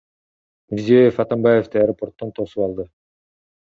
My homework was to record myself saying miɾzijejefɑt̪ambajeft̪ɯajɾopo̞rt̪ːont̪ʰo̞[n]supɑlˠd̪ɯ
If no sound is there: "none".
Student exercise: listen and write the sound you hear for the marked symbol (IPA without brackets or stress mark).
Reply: none